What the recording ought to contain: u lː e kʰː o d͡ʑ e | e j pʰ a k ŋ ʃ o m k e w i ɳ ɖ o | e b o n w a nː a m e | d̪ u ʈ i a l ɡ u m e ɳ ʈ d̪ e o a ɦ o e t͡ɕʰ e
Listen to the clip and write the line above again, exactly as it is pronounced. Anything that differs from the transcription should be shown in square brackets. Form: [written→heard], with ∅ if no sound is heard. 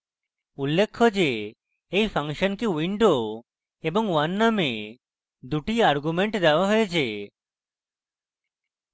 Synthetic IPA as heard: u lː e kʰː o d͡ʑ e | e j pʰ a [k→∅] ŋ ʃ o [m→n] k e w i ɳ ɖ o | e b o [n→ŋ] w a nː a m e | d̪ u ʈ i a [l→ɾ] ɡ u m e ɳ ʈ d̪ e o a ɦ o e t͡ɕʰ e